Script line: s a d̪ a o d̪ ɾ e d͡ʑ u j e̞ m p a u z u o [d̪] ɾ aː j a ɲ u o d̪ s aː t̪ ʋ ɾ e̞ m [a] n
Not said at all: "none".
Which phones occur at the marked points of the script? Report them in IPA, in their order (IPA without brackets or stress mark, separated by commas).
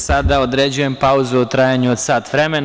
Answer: t̪, e